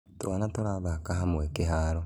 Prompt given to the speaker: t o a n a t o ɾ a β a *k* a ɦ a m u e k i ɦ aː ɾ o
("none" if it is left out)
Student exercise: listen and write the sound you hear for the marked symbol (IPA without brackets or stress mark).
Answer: k